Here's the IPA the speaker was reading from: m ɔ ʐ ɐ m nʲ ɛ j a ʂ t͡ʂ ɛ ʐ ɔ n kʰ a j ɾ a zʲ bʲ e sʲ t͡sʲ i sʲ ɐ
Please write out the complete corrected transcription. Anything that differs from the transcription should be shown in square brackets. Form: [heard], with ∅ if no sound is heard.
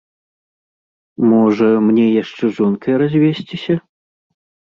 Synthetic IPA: m ɔ ʐ ɐ m nʲ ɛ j a ʂ t͡ʂ ɛ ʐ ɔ n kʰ [ɐ] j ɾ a zʲ [vʲ] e sʲ t͡sʲ i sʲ ɐ